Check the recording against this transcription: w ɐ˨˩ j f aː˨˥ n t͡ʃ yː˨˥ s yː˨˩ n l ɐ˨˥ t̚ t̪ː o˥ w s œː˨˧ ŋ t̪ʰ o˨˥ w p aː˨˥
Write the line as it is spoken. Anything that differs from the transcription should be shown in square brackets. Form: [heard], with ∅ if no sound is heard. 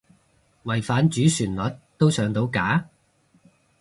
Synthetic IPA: w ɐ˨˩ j f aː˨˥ n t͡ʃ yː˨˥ s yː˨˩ n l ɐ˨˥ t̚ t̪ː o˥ w s œː˨˧ ŋ [t̪] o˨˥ w [k] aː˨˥